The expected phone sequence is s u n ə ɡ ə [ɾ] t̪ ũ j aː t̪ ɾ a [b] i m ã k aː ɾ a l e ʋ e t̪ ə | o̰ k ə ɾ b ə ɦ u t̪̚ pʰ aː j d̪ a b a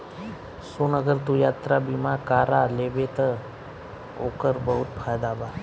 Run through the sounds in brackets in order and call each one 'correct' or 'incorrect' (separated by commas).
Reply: correct, correct